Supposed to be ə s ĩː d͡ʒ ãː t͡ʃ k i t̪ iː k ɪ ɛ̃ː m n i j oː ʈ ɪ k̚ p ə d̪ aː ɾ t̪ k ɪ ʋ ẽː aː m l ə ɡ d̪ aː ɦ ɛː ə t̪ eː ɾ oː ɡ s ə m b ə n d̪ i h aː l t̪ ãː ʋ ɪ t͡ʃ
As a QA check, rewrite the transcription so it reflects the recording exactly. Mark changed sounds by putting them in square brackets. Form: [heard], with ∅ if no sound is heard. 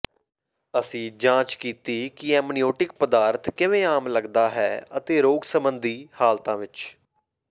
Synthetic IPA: ə s ĩː d͡ʒ ãː t͡ʃ k [iː] t̪ iː k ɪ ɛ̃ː m n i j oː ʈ ɪ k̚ p ə d̪ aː ɾ t̪ k ɪ ʋ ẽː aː m l ə ɡ d̪ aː ɦ ɛː ə t̪ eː ɾ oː ɡ s ə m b ə n d̪ [iː] h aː l t̪ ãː ʋ ɪ t͡ʃ

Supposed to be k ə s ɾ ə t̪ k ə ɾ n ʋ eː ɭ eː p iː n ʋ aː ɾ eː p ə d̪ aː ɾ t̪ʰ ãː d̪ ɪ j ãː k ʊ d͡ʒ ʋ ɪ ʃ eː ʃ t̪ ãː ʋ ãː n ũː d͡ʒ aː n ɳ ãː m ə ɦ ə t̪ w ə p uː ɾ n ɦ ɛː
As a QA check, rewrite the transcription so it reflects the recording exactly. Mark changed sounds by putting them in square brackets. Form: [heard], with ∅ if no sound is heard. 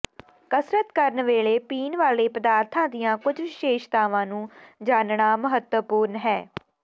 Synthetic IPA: k ə s ɾ ə t̪ k ə ɾ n ʋ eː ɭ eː p iː n ʋ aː [l] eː p ə d̪ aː ɾ t̪ʰ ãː d̪ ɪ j ãː k ʊ d͡ʒ ʋ ɪ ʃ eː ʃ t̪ [aː] ʋ ãː n ũː d͡ʒ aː n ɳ [aː] m ə ɦ ə t̪ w ə p uː ɾ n ɦ ɛː

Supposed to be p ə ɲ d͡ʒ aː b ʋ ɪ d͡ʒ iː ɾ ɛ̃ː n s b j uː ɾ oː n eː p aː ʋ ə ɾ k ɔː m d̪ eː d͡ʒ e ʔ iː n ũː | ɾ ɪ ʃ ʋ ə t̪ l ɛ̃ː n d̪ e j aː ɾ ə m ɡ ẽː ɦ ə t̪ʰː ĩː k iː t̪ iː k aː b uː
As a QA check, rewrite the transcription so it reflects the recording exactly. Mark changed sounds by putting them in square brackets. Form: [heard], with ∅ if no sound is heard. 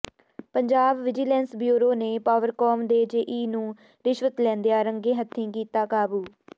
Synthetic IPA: p ə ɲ d͡ʒ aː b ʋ ɪ d͡ʒ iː [l] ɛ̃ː n s b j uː ɾ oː n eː p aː ʋ ə ɾ k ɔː m d̪ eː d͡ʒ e ʔ iː n ũː | ɾ ɪ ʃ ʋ ə t̪ l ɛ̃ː n d̪ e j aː ɾ ə [ŋ] ɡ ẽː ɦ ə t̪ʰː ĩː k iː t̪ [aː] k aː b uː

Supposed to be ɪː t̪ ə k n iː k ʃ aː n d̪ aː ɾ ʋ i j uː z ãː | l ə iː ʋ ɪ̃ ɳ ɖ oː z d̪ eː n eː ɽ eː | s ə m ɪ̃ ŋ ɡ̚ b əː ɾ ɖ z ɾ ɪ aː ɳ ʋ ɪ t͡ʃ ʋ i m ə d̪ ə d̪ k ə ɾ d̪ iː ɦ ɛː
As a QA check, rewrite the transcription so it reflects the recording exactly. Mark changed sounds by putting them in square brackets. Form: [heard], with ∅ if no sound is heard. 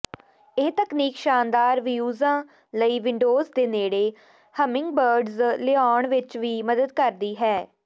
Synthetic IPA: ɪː t̪ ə k n iː k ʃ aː n d̪ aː ɾ ʋ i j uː z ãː | l ə iː ʋ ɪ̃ ɳ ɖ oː z d̪ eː n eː ɽ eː | [h] ə m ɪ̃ ŋ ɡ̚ b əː ɾ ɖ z [l] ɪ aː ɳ ʋ ɪ t͡ʃ ʋ [iː] m ə d̪ ə d̪ k ə ɾ d̪ iː ɦ ɛː

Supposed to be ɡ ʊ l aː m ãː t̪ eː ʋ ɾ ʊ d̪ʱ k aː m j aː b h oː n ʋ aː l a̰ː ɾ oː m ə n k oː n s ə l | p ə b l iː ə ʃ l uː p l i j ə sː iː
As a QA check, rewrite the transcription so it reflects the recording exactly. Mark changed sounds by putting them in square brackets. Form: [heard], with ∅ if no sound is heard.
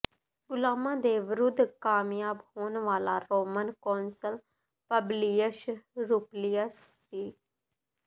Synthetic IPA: ɡ ʊ l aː m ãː [d̪] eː ʋ ɾ ʊ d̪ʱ k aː m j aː b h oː n ʋ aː l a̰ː ɾ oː m ə n k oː n s ə l | p ə b l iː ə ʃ [ɾ] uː p l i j ə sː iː

